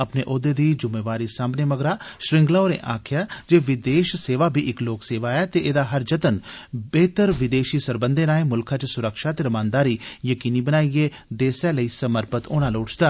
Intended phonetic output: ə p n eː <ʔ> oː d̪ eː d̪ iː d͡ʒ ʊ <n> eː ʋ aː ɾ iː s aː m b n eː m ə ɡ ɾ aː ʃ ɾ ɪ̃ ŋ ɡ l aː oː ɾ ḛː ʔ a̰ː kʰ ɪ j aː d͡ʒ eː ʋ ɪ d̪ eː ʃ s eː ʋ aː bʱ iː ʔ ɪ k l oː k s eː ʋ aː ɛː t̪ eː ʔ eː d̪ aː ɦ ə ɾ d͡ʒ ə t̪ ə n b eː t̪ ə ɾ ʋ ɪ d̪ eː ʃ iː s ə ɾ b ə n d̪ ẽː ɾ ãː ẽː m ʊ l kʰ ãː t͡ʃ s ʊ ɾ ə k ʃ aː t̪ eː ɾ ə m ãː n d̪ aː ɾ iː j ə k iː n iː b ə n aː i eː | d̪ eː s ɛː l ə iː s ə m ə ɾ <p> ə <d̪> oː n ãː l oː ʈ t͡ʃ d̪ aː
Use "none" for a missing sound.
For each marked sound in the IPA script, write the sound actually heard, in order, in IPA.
ʔ, m, p, t̪

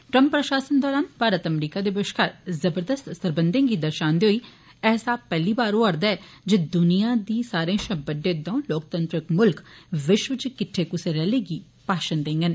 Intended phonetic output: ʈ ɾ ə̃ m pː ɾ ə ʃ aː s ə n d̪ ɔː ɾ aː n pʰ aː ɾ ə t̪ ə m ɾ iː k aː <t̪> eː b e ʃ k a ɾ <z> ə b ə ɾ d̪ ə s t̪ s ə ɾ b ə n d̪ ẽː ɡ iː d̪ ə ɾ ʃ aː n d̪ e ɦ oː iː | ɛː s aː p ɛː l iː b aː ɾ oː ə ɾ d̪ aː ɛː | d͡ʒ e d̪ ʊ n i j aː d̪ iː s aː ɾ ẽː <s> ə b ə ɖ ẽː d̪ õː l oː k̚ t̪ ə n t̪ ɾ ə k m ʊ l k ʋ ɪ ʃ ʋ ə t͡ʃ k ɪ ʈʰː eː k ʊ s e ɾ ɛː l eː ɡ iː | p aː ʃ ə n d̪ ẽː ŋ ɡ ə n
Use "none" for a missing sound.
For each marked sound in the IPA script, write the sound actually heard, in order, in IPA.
d̪, z, ʃ

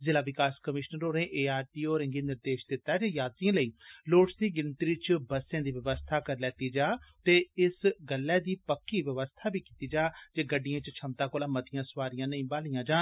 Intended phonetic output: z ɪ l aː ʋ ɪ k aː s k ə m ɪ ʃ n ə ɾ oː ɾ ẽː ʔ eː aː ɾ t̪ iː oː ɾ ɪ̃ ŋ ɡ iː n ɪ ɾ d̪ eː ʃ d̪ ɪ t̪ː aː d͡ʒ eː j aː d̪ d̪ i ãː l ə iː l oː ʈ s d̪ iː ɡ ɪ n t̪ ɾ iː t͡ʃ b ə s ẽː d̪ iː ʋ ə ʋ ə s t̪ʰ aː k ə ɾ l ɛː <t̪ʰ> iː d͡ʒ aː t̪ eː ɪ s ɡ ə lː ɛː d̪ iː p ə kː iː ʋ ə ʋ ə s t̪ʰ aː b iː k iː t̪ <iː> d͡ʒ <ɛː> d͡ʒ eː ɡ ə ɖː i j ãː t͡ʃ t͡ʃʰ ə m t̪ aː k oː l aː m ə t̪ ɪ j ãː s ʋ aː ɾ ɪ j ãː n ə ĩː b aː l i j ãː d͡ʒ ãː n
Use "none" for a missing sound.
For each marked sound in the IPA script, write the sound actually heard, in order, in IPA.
t̪, iː, aː

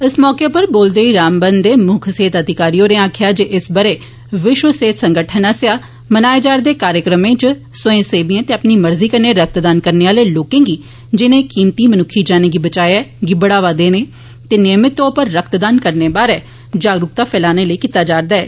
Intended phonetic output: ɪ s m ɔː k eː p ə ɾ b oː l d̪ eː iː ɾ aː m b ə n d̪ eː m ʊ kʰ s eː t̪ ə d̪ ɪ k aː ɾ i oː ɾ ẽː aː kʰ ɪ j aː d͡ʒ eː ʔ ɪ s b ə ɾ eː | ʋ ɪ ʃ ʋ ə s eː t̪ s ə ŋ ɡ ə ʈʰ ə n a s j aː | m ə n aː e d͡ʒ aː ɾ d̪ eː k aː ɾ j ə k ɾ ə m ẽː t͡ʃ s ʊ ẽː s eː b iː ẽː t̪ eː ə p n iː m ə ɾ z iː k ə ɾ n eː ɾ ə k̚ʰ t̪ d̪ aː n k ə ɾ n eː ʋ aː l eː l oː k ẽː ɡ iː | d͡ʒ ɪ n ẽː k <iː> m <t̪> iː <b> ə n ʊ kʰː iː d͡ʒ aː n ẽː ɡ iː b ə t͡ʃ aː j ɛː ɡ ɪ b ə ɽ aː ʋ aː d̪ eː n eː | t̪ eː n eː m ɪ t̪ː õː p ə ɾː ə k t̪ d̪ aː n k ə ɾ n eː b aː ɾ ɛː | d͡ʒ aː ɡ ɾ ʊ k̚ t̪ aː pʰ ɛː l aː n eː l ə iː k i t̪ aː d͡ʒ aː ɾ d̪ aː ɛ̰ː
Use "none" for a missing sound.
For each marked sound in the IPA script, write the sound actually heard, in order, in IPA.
iː, t̪, m

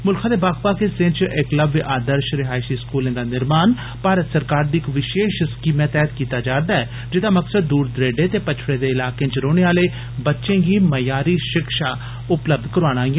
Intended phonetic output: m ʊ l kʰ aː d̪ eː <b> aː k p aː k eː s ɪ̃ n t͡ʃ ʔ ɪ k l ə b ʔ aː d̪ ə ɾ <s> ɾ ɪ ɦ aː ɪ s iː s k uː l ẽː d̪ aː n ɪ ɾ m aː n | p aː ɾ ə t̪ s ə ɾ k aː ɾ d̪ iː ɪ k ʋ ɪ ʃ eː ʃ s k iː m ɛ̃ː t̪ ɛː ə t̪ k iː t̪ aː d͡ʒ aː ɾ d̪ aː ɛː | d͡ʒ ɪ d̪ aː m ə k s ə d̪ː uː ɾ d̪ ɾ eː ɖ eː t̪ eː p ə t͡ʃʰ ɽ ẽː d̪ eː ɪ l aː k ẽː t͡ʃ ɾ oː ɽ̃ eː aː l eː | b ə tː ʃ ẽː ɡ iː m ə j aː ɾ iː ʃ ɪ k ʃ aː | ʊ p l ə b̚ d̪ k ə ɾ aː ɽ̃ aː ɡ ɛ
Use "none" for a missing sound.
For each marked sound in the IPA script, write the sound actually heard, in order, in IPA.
b, ʃ

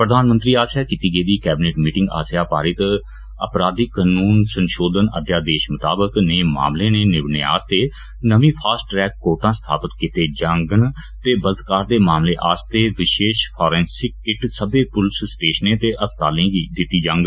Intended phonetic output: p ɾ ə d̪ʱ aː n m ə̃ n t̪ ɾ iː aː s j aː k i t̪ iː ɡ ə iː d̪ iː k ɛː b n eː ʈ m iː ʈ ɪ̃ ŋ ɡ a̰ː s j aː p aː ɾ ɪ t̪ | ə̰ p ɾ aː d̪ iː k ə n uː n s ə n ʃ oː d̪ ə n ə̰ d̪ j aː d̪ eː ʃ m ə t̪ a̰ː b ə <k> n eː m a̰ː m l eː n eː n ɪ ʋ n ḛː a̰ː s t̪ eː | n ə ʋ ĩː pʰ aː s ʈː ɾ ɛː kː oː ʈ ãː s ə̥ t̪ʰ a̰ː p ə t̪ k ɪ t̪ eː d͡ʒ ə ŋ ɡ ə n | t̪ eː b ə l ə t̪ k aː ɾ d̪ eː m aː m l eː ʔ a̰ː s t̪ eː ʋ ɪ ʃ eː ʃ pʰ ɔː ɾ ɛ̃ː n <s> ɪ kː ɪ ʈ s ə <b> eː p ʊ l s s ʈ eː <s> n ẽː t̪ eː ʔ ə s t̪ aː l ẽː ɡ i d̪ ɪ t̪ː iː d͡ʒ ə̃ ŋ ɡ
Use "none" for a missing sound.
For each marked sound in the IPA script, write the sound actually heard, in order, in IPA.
k, s, b, ʃ

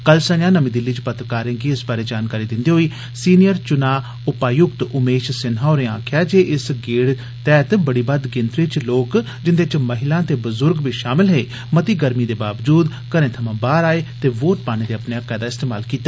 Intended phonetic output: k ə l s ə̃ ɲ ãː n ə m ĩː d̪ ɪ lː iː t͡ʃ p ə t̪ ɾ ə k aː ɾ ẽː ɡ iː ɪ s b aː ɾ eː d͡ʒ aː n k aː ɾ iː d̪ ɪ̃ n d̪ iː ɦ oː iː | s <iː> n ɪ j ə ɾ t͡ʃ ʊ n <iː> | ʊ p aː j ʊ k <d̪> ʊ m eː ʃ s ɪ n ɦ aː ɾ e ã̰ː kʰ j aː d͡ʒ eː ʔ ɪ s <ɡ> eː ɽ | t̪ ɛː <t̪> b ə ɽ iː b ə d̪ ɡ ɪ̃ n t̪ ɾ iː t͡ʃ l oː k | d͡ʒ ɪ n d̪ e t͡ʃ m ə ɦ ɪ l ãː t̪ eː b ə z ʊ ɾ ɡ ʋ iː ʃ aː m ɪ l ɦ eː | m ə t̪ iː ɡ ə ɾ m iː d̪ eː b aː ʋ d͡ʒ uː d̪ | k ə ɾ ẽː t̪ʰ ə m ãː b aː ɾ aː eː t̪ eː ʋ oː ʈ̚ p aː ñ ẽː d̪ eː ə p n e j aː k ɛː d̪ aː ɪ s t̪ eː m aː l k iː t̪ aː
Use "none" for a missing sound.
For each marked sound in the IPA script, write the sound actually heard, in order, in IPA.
iː, aː, t̪, ɡ, t̪

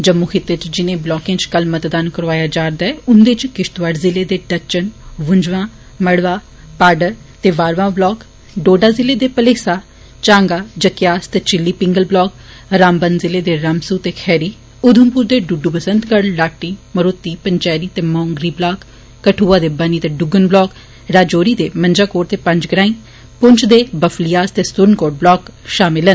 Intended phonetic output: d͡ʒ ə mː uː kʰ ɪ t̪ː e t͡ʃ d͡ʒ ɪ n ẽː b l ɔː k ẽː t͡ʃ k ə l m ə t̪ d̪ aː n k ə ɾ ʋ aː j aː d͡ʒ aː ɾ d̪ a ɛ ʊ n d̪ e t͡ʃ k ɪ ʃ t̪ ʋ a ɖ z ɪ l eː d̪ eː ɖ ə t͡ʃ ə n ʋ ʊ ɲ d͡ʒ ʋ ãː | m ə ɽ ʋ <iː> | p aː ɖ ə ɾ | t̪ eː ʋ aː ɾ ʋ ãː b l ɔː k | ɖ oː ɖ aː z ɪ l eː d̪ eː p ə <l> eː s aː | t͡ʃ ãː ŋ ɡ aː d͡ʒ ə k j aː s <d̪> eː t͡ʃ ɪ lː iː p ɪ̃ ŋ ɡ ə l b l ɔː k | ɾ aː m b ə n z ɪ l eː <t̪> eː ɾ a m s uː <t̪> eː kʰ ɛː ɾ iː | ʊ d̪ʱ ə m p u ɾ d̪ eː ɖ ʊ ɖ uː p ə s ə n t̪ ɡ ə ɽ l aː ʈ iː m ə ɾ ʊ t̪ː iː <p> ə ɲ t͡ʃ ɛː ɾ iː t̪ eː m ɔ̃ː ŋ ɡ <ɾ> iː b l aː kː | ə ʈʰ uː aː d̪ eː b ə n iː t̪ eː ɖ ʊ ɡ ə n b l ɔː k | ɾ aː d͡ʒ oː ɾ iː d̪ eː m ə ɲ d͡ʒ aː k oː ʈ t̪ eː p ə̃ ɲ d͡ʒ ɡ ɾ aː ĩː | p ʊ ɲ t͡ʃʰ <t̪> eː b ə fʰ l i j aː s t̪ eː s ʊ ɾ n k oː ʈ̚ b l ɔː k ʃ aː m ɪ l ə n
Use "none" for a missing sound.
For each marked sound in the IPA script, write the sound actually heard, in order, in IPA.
aː, l, t̪, d̪, t̪, p, ɾ, d̪

